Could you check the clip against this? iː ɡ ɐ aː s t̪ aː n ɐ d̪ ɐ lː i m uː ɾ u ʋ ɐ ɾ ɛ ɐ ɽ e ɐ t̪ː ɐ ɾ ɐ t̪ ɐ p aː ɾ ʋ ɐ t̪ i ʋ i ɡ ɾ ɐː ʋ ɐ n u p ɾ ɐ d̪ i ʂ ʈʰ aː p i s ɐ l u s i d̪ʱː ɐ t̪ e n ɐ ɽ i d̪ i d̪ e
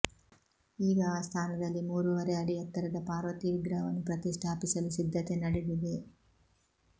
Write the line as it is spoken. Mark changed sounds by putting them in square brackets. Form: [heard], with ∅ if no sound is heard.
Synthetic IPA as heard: iː ɡ ɐ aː s [t̪ʰ] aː n ɐ d̪ ɐ lː i m uː ɾ u ʋ ɐ ɾ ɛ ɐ ɽ [i] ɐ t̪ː ɐ ɾ ɐ [d̪] ɐ p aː ɾ ʋ ɐ t̪ i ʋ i ɡ ɾ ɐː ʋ ɐ n u p ɾ ɐ [t̪] i ʂ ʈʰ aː p i s ɐ l u s i d̪ʱː ɐ t̪ e n ɐ ɽ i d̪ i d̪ e